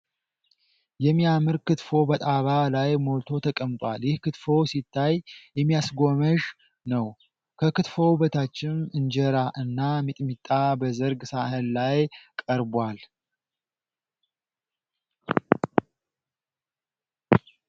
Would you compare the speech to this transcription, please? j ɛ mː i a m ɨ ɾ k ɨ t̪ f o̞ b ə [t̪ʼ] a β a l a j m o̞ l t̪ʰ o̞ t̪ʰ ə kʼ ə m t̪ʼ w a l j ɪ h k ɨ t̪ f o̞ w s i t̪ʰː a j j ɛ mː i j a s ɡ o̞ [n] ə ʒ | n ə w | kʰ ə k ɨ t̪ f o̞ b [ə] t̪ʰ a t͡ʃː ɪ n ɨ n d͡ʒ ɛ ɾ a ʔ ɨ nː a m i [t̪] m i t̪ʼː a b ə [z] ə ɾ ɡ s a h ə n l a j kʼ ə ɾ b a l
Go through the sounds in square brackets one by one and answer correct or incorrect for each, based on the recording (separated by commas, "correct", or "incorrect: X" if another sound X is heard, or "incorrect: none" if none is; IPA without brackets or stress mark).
correct, incorrect: m, correct, incorrect: t̪ʼ, correct